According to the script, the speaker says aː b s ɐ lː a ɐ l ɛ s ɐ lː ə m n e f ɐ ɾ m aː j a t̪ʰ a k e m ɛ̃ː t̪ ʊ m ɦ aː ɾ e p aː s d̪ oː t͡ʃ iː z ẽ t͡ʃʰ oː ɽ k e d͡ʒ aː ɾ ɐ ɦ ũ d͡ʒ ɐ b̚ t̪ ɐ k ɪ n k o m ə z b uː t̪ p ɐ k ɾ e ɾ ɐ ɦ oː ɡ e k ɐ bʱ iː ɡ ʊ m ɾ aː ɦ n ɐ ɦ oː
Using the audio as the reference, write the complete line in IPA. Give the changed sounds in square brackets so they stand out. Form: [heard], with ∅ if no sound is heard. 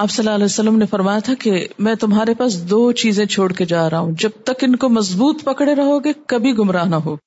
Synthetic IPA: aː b s ɐ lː a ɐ l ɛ s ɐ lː ə m n e f ɐ ɾ m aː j a t̪ʰ a k e m ɛ̃ː t̪ ʊ m ɦ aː ɾ e p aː s d̪ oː t͡ʃ iː z ẽ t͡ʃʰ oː ɽ k e d͡ʒ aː ɾ ɐ ɦ ũ d͡ʒ ɐ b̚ t̪ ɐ k ɪ n k o m [ɐ] z b uː t̪ p ɐ k [ɽ] e ɾ ɐ ɦ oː ɡ e k ɐ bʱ [i] ɡ ʊ m ɾ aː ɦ n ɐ ɦ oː